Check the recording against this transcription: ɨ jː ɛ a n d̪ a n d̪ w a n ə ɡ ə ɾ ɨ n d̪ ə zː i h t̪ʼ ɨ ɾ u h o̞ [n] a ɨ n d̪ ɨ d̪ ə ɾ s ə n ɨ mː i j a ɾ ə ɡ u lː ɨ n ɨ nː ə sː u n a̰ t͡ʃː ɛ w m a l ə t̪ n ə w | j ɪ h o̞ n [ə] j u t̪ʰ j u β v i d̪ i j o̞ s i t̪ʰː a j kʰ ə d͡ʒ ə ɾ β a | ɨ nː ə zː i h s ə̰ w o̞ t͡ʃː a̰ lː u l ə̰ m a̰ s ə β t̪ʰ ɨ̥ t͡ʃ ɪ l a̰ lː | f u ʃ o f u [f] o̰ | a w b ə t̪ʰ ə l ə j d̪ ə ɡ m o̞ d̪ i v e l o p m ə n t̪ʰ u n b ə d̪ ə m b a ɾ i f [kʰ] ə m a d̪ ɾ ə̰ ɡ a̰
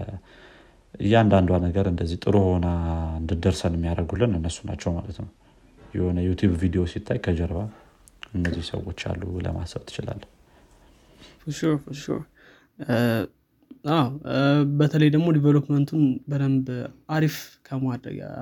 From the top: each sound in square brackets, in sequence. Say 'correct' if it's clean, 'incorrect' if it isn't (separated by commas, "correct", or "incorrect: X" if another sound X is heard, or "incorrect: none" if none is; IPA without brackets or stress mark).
correct, correct, incorrect: ʃ, correct